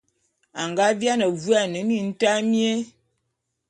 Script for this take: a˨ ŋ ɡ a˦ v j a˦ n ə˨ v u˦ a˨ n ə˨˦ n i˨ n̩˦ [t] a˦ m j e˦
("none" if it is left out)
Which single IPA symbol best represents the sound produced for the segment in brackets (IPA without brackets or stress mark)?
t